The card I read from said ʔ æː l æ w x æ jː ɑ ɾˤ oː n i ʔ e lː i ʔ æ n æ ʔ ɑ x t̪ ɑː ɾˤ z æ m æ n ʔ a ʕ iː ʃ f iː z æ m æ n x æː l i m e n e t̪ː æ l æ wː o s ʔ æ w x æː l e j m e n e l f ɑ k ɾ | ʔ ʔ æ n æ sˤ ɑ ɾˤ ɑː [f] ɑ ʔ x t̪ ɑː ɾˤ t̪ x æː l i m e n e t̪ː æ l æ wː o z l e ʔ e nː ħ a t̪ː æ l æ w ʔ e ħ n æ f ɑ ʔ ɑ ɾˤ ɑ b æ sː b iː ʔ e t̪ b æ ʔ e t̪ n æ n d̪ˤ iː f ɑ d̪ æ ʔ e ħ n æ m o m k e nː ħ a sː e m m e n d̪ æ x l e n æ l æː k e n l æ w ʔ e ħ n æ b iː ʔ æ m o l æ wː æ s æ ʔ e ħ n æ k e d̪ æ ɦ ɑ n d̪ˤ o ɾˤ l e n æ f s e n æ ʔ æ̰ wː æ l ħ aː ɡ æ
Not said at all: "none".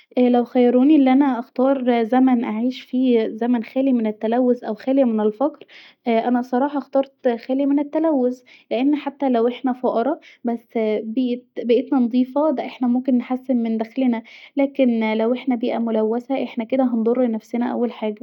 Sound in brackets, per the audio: ħ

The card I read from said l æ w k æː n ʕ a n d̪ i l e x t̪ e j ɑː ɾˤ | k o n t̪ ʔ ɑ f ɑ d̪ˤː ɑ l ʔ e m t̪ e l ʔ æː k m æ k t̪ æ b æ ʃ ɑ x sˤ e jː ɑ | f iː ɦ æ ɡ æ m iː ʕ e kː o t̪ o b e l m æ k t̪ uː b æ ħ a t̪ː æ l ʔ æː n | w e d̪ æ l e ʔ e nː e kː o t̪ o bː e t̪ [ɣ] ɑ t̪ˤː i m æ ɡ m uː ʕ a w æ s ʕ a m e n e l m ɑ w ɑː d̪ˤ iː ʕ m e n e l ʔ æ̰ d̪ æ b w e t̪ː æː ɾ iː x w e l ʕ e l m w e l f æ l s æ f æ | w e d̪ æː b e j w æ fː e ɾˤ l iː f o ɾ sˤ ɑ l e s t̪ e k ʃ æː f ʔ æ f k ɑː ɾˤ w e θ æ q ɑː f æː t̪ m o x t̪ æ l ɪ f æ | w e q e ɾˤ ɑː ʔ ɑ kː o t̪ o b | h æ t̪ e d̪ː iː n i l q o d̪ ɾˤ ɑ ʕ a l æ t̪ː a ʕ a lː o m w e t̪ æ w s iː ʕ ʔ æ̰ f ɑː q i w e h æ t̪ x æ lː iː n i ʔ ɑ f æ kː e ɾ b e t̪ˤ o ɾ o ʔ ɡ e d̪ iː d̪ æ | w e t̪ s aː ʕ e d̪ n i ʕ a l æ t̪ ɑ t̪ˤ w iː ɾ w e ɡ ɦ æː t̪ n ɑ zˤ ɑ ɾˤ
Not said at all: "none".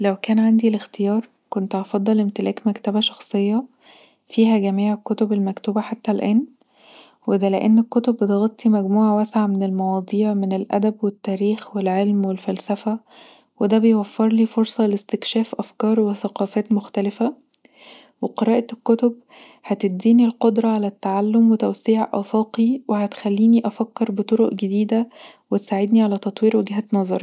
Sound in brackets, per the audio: ɣ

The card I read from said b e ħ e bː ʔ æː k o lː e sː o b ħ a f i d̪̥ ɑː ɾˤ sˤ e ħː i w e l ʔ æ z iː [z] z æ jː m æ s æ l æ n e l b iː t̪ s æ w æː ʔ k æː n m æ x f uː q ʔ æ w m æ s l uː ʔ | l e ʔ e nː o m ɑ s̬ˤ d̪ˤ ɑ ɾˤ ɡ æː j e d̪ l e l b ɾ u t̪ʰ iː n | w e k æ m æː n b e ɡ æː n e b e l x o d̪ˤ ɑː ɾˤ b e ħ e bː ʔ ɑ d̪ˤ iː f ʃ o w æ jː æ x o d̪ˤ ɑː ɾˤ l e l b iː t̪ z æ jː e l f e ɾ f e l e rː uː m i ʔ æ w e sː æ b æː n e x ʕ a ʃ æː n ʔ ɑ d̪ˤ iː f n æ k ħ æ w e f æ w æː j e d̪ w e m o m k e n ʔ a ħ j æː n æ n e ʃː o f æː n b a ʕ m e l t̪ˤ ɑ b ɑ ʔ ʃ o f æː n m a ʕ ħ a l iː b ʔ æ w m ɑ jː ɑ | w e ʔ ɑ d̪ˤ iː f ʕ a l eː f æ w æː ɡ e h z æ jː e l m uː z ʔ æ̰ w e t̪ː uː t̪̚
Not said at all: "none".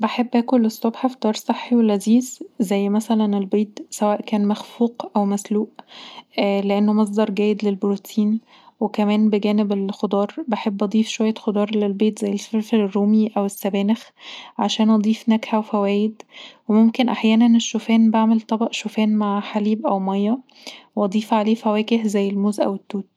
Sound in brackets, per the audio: z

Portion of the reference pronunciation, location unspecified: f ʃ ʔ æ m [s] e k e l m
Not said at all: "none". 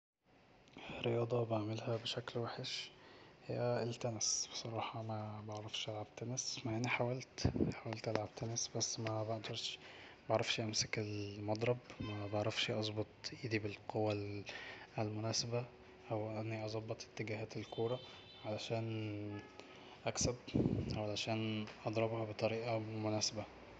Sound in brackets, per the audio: s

